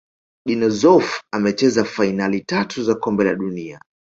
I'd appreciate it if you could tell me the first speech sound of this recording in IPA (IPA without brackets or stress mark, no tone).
ɗ